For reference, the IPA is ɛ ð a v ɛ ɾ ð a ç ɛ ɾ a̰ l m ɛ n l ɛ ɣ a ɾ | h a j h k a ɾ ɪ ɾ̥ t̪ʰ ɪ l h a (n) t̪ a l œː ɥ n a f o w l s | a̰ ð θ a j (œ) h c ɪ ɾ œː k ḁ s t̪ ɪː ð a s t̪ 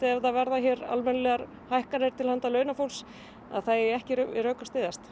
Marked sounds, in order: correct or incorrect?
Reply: correct, incorrect

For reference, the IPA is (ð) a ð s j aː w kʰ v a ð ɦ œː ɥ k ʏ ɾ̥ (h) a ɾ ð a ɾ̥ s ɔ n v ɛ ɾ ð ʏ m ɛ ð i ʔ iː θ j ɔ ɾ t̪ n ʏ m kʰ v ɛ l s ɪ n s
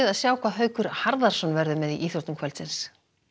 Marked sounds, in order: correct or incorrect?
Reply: correct, correct

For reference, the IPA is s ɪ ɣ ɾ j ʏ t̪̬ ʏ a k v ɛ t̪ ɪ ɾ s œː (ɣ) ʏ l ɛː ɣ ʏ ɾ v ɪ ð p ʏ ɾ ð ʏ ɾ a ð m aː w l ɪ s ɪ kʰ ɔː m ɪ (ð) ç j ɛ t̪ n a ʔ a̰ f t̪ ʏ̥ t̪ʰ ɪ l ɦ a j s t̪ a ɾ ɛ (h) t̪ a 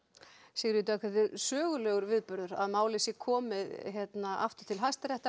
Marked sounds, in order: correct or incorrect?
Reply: correct, correct, correct

